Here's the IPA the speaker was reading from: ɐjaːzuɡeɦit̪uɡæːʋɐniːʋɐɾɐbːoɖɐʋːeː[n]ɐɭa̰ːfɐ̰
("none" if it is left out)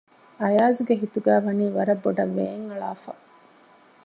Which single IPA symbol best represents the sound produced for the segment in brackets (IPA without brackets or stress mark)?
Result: ŋ